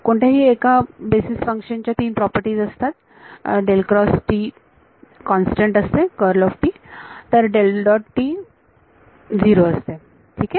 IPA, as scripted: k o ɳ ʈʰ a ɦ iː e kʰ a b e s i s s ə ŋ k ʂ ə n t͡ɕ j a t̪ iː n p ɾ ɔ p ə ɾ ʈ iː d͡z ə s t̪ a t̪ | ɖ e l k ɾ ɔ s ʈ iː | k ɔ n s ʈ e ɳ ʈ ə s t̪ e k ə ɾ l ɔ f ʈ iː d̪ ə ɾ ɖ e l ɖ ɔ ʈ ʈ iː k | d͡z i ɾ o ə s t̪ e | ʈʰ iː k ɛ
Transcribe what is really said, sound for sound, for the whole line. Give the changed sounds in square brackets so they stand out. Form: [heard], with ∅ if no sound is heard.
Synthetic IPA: k o ɳ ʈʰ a ɦ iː e [k] a b e s i s [f] ə ŋ k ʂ ə n t͡ɕ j a t̪ iː n p ɾ ɔ p ə ɾ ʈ iː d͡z ə s t̪ a t̪ | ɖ e l k ɾ ɔ s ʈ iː | k ɔ n s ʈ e ɳ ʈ ə s t̪ e k ə ɾ l ɔ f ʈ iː [t̪] ə ɾ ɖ e l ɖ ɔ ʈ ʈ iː [∅] | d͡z i ɾ o ə s t̪ e | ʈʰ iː k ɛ